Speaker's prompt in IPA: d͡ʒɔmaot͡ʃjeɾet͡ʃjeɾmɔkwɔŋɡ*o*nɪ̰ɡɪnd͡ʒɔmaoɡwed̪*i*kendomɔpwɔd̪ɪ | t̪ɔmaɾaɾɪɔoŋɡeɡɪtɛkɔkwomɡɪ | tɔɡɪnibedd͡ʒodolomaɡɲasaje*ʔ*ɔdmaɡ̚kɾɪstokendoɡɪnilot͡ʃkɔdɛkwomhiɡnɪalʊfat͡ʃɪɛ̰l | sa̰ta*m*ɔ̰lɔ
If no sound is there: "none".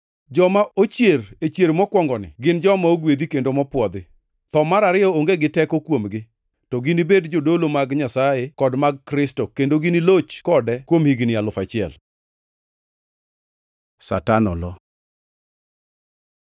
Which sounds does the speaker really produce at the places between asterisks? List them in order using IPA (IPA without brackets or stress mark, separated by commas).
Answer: ɔ, i, k, n